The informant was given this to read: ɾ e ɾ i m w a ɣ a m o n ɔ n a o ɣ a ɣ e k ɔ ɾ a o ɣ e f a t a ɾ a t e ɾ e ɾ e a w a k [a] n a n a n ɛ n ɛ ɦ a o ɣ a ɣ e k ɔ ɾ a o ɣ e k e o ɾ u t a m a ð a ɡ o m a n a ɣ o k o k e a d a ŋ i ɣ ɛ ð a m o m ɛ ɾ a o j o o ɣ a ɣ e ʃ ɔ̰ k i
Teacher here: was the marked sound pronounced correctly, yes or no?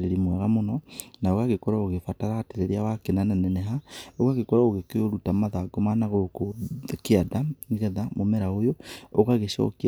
no